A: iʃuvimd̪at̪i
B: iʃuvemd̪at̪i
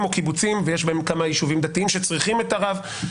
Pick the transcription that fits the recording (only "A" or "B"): A